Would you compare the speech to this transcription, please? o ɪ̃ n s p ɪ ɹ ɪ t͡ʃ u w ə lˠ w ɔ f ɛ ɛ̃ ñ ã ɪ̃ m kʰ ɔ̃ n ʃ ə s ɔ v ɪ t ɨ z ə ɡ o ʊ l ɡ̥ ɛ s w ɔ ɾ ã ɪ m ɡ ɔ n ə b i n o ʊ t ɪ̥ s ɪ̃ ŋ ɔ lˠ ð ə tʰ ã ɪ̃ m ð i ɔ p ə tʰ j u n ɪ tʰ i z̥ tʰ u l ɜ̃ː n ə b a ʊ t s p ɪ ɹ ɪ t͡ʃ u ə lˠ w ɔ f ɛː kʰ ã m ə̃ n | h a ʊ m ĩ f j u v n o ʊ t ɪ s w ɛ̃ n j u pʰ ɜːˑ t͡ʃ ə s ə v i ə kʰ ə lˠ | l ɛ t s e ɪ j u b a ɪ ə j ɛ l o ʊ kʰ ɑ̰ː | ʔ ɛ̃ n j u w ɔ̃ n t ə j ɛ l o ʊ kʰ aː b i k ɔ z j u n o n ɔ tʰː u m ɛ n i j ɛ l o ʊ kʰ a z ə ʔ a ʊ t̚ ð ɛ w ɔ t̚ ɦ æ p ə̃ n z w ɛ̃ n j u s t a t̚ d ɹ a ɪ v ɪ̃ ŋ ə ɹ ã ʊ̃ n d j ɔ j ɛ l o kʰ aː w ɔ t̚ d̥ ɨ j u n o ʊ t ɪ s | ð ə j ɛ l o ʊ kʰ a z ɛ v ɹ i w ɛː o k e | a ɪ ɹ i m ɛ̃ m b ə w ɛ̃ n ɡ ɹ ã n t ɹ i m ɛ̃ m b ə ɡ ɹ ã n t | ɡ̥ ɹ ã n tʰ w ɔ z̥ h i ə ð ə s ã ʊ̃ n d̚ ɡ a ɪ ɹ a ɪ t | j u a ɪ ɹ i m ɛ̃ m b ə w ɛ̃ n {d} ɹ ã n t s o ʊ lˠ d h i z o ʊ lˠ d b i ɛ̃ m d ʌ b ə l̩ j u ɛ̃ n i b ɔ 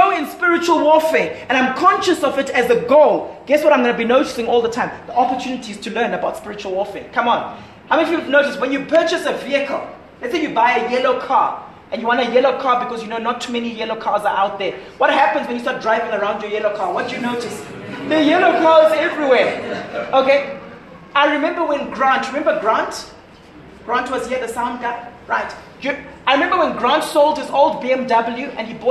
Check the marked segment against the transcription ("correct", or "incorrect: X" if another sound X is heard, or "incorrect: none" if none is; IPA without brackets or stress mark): incorrect: ɡ